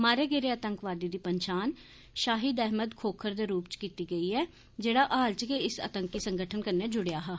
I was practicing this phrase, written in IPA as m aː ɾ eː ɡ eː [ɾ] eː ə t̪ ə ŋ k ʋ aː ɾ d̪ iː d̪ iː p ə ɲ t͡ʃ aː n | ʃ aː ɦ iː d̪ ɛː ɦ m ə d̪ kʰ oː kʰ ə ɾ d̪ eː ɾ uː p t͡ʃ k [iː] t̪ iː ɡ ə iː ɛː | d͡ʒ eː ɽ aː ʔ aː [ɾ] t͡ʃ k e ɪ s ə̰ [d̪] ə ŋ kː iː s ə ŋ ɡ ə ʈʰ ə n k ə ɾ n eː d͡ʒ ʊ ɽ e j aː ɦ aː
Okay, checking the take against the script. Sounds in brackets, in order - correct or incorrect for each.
correct, correct, incorrect: l, incorrect: t̪

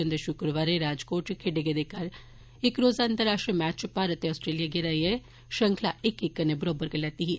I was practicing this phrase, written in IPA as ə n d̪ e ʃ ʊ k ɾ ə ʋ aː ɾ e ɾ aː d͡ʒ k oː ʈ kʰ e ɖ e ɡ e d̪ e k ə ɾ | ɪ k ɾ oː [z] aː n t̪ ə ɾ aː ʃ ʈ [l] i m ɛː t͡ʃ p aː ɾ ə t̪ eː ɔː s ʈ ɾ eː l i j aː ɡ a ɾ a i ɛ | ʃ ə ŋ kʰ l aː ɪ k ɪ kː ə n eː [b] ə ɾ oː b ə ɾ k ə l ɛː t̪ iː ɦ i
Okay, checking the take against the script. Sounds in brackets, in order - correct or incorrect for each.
correct, incorrect: ɾ, correct

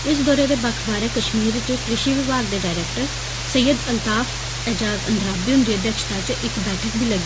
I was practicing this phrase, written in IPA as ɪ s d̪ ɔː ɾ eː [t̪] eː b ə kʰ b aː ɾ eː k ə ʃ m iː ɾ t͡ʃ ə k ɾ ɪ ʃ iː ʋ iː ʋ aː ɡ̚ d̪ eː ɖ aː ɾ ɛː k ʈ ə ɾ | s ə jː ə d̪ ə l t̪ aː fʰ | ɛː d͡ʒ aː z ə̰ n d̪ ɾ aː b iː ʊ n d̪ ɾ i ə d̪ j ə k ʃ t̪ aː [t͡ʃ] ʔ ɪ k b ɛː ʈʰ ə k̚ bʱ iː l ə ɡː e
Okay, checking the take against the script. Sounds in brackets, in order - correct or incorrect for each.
incorrect: d̪, correct

